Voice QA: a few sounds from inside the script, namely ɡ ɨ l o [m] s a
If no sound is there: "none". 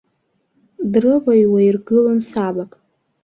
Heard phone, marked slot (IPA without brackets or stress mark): n